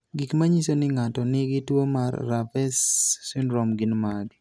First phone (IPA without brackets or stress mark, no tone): ɡ